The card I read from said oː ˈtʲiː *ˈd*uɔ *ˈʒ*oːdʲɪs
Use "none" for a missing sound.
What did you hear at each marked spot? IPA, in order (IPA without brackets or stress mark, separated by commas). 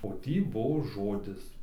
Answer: b, ʒ